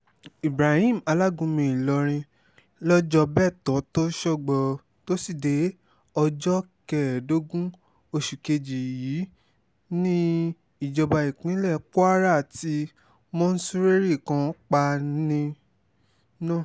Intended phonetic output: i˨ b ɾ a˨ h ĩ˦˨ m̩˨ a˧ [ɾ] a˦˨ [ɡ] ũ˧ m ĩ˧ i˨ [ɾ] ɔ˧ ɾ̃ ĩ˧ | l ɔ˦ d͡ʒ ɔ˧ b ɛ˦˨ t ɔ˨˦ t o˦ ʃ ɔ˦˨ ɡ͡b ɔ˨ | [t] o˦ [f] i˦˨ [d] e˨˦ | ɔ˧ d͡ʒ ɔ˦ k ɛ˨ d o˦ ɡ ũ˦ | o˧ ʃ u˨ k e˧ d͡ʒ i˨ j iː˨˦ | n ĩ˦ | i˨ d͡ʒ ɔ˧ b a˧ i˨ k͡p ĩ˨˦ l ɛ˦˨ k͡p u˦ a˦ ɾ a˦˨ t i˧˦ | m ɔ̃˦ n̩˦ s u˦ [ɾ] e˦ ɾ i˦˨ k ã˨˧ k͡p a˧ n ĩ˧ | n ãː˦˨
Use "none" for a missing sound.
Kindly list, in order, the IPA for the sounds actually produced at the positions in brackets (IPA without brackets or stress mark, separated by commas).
l, ɡ, l, t, s, d, ɾ